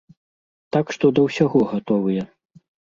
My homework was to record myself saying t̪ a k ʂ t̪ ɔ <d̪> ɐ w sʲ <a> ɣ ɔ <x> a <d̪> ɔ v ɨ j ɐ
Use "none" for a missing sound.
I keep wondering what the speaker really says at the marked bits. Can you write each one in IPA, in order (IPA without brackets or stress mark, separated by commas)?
d̪, a, ɣ, t̪